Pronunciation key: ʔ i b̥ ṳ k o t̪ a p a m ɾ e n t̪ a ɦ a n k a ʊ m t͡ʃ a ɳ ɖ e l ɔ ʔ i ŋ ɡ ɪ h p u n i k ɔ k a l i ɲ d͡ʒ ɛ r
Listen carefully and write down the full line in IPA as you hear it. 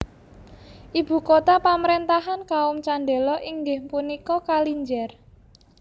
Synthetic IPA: ʔ i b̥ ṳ k o t̪ a p a m ɾ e n t̪ a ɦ a n k a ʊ m t͡ʃ a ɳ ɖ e l ɔ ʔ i ŋ ɡ ɪ h p u n i k ɔ k a l i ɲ d͡ʒ ɛ r